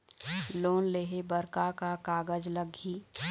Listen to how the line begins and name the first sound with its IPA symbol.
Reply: l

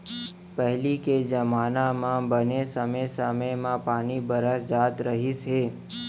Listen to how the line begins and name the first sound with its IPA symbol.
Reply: p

